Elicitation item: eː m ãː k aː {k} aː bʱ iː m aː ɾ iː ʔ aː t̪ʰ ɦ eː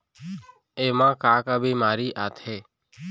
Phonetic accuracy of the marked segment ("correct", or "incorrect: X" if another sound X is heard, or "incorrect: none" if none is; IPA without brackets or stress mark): correct